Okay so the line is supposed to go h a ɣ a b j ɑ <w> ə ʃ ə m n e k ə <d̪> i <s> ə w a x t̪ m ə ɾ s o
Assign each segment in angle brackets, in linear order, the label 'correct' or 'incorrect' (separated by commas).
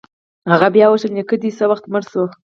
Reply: correct, correct, correct